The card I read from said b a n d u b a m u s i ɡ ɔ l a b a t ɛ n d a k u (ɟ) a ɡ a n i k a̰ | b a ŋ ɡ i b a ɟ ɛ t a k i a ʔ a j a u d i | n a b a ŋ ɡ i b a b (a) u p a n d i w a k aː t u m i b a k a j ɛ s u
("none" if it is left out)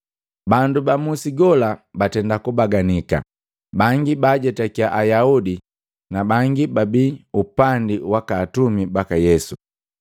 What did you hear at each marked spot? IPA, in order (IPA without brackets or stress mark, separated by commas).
b, i